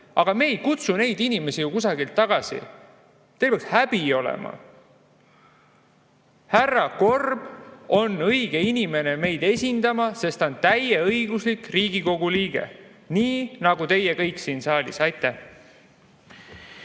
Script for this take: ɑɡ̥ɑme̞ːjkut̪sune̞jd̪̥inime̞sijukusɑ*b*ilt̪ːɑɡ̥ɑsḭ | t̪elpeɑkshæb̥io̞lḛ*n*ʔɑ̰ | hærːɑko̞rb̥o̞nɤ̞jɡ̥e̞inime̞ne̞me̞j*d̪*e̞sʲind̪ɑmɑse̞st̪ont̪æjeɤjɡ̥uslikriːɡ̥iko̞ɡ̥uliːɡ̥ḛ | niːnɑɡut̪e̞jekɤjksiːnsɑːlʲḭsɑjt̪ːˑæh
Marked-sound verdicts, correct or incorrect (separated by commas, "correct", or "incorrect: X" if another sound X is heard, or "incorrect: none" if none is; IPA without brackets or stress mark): incorrect: ɡ, incorrect: m, correct